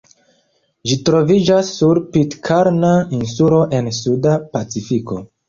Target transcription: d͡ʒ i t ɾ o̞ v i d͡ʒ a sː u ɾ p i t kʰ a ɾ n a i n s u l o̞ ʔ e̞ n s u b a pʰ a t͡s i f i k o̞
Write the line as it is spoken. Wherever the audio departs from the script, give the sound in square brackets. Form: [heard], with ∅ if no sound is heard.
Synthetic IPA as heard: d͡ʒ i t ɾ o̞ v i d͡ʒ a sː u ɾ p i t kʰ a ɾ n a i n s u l o̞ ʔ e̞ n s u [d] a [p] a t͡s i f i k o̞